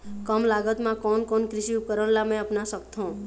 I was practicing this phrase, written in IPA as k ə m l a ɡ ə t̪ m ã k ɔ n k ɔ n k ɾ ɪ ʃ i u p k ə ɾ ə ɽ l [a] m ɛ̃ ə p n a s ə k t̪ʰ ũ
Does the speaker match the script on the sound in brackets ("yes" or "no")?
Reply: yes